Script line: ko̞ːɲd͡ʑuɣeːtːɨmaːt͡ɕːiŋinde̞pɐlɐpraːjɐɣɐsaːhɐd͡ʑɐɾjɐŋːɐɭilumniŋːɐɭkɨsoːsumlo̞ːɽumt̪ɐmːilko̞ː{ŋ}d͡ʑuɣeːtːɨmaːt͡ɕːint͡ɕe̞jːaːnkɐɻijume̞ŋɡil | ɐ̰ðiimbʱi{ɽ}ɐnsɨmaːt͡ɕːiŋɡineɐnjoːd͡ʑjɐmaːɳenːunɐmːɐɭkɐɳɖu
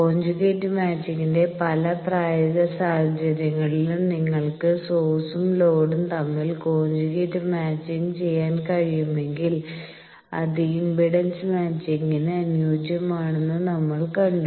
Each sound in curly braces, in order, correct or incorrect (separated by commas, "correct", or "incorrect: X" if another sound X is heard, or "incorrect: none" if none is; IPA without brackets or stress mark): incorrect: ɲ, correct